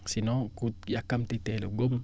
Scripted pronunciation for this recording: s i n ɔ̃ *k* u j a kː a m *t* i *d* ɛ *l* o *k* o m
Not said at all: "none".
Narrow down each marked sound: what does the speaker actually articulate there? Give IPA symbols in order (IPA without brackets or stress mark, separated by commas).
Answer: k, t, t, l, ɡ